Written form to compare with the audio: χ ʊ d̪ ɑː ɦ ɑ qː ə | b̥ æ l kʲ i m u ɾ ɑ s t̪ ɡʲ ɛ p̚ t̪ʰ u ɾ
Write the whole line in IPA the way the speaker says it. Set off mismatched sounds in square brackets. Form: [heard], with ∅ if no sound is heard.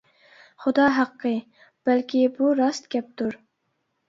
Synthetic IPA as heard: χ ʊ d̪ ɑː ɦ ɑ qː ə | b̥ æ l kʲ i [b] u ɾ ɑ s t̪ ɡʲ ɛ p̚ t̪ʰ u ɾ